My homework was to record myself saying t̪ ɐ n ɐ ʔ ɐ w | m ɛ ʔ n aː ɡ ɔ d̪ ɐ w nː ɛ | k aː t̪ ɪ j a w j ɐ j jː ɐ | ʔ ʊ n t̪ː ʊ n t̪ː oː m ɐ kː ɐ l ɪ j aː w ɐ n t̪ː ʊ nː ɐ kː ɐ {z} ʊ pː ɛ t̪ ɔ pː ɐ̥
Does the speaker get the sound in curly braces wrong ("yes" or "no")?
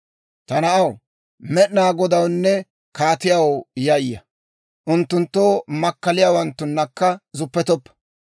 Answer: no